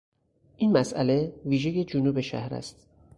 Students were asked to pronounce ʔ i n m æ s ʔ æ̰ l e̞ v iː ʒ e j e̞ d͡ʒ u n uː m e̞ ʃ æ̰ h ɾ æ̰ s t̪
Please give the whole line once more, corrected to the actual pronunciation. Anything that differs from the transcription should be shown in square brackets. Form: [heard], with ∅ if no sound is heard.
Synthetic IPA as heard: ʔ i n m æ s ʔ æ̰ l e̞ v iː ʒ e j e̞ d͡ʒ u n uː [b] e̞ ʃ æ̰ h ɾ æ̰ s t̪